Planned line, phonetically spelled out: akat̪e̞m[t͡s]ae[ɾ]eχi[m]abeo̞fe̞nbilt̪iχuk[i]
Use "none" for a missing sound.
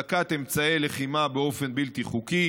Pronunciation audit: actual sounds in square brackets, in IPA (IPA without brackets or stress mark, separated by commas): t͡s, l, m, i